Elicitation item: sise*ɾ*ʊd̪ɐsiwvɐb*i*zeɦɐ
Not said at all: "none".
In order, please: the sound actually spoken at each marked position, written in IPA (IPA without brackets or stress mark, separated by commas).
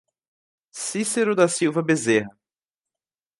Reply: ɾ, e